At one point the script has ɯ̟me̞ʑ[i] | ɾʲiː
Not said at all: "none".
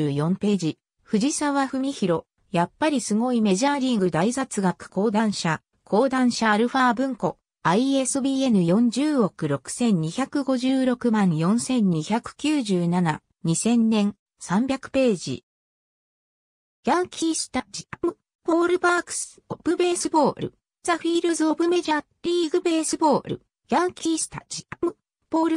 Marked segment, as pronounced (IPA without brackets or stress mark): a